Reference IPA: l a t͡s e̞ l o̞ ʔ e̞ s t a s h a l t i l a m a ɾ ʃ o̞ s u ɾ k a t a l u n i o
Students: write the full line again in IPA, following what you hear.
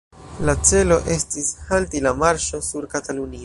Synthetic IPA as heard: l a t͡s e̞ l o̞ ʔ e̞ s t i s h a l t i l a m a ɾ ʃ o̞ s u ɾ k a t a l u n i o